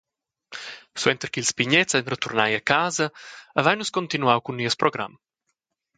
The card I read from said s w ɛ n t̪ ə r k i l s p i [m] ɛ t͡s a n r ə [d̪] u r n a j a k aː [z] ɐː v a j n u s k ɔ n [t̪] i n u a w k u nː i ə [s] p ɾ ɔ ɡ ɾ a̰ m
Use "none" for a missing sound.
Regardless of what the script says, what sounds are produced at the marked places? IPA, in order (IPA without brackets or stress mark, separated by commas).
ɲ, t̪, z, t̪, s